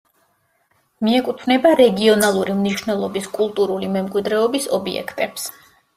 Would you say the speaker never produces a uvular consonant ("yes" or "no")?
yes